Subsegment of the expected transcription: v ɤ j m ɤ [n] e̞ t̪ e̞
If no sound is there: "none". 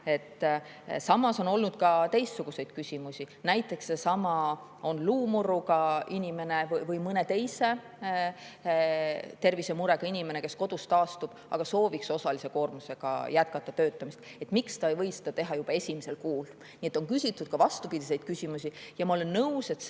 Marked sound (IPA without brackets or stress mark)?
n